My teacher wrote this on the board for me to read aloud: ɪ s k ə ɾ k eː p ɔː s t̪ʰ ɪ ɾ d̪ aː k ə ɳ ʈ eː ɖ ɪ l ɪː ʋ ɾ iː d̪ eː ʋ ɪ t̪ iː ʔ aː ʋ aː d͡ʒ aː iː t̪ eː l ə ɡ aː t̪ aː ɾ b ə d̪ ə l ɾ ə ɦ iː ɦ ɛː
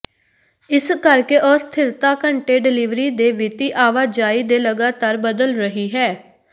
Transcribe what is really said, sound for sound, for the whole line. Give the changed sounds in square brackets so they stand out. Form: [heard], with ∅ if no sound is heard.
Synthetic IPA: ɪ s k ə ɾ k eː [ʔ] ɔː s t̪ʰ ɪ ɾ [t̪] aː k ə ɳ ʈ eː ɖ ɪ l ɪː ʋ ɾ iː d̪ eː ʋ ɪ t̪ iː ʔ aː ʋ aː d͡ʒ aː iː [d̪] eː l ə ɡ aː t̪ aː ɾ b ə d̪ ə l ɾ ə ɦ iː ɦ ɛː